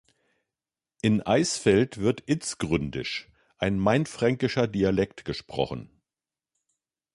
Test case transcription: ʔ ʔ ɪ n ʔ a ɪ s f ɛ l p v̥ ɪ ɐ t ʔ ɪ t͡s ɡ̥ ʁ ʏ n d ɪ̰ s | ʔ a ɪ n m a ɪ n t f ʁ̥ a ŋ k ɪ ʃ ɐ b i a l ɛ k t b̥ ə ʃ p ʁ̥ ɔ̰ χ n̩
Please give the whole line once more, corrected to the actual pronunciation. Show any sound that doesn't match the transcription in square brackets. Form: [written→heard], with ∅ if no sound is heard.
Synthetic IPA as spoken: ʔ ʔ ɪ n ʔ a ɪ s f ɛ l [p→t] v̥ ɪ ɐ t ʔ ɪ t͡s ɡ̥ ʁ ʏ n d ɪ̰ [s→ʃ] | ʔ a ɪ n m a ɪ n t f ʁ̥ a ŋ k ɪ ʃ ɐ [b→d] i a l ɛ k t [b̥→ɡ̥] ə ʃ p ʁ̥ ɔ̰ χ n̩

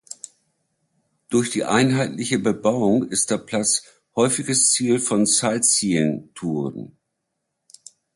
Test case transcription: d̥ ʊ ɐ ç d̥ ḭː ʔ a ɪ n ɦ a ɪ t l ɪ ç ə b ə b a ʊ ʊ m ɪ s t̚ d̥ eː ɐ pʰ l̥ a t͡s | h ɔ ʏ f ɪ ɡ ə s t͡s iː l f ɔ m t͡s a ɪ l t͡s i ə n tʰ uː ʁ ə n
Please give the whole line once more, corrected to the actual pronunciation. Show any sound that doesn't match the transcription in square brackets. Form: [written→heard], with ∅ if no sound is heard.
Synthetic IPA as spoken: d̥ ʊ ɐ ç d̥ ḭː ʔ a ɪ n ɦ a ɪ t l ɪ ç ə b ə b a ʊ ʊ [m→ŋ] ɪ s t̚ d̥ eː ɐ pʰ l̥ a t͡s | h ɔ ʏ f ɪ ɡ ə s t͡s iː l f ɔ [m→n] t͡s a ɪ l t͡s i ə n tʰ uː ʁ ə n

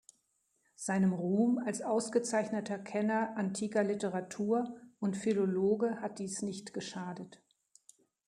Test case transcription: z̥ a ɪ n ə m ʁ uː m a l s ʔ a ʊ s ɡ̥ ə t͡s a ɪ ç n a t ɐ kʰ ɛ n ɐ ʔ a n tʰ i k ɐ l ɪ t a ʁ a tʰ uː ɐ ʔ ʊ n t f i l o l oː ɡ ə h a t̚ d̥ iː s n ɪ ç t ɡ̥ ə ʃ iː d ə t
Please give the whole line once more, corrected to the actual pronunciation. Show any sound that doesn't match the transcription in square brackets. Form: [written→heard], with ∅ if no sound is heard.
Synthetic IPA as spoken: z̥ a ɪ n ə m ʁ uː m a l s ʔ a ʊ s ɡ̥ ə t͡s a ɪ ç n [a→ə] t ɐ kʰ ɛ n ɐ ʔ a n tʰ [i→iː] k ɐ l ɪ t [a→ə] ʁ a tʰ uː ɐ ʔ ʊ n t f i l o l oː ɡ ə h a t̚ d̥ iː s n ɪ ç t ɡ̥ ə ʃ [iː→aː] d ə t

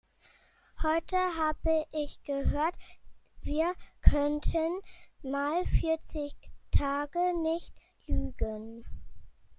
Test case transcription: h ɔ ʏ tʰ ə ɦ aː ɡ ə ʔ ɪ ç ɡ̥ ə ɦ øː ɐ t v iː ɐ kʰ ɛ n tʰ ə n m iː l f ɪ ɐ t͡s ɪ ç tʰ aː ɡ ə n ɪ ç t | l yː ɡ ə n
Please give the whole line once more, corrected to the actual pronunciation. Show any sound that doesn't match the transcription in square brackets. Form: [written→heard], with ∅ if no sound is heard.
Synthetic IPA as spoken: h ɔ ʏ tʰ ə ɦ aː [ɡ→b] ə ʔ ɪ ç ɡ̥ ə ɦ øː ɐ t v iː ɐ kʰ [ɛ→œ] n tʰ ə n m [iː→aː] l f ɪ ɐ t͡s ɪ ç tʰ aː ɡ ə n ɪ ç t | l yː ɡ ə n

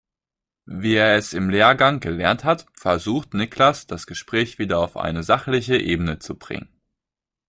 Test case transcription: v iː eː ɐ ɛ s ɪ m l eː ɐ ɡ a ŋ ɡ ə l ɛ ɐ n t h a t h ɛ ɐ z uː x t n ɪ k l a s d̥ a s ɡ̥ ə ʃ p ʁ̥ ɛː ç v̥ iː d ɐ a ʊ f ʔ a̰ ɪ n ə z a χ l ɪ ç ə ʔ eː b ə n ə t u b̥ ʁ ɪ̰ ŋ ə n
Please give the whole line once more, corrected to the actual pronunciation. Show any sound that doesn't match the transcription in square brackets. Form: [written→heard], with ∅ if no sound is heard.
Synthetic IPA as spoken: v iː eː ɐ ɛ s ɪ m l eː ɐ ɡ a ŋ ɡ ə l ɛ ɐ n t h a t [h→f] ɛ ɐ z uː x t n ɪ k l a s d̥ a s ɡ̥ ə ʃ p ʁ̥ ɛː ç v̥ iː d ɐ a ʊ f ʔ a̰ ɪ n ə z a χ l ɪ ç ə ʔ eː b ə n ə [t→t͡s] u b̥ ʁ ɪ̰ ŋ ə n

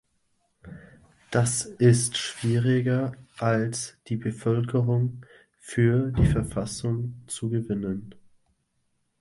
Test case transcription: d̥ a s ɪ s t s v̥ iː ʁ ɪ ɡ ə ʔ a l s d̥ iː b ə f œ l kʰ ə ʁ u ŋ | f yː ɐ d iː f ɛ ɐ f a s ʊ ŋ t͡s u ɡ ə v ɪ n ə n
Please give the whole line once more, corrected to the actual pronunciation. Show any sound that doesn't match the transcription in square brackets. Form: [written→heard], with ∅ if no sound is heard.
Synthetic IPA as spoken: d̥ a s ɪ s t [s→ʃ] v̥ iː ʁ ɪ ɡ [ə→ɐ] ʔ a l s d̥ iː b ə f œ l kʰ ə ʁ [u→ʊ] ŋ | f yː ɐ d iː f ɛ ɐ f a s ʊ ŋ t͡s u ɡ ə v ɪ n ə n

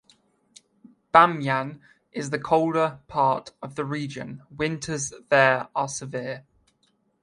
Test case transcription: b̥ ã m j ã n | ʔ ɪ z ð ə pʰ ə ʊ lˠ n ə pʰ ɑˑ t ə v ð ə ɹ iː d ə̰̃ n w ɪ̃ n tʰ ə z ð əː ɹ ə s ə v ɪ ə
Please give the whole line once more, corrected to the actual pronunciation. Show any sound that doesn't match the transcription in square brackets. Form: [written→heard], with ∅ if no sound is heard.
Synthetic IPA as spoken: b̥ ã m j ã n | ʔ ɪ z ð ə [pʰ→kʰ] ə ʊ lˠ [n→d] ə pʰ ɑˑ t ə v ð ə ɹ iː [d→d͡ʒ] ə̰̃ n w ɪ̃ n tʰ ə z ð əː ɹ ə s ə v ɪ ə

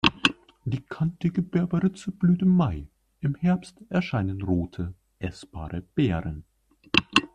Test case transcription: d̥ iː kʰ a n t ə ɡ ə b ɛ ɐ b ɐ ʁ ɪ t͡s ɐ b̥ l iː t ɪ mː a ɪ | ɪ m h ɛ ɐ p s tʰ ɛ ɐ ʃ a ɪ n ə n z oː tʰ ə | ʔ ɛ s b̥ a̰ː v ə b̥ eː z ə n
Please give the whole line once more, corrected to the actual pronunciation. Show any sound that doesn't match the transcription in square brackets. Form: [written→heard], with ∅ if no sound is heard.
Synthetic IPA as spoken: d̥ iː kʰ a n t ə ɡ ə b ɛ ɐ b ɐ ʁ ɪ t͡s [ɐ→ə] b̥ l [iː→yː] t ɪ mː a ɪ | ɪ m h ɛ ɐ p s [tʰ→t] ɛ ɐ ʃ a ɪ n ə n [z→ʁ] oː tʰ ə | ʔ ɛ s b̥ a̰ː [v→ʁ] ə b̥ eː [z→ʁ] ə n

